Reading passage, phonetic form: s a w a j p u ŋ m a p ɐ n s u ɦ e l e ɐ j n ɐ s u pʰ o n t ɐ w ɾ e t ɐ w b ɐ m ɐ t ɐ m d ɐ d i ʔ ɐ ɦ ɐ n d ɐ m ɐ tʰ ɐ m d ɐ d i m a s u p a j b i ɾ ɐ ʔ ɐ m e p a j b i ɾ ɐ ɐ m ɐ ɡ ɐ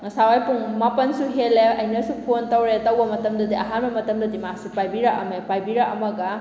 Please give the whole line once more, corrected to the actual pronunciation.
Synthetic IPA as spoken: s a w a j p u ŋ m a p ɐ n s u ɦ e l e ɐ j n ɐ s u pʰ o n t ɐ w ɾ e t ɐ w b ɐ m ɐ t ɐ m d ɐ d i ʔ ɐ ɦ a n b ɐ m ɐ t ɐ m d ɐ d i m a s u p a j b i ɾ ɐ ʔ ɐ m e p a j b i ɾ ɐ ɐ m ɐ ɡ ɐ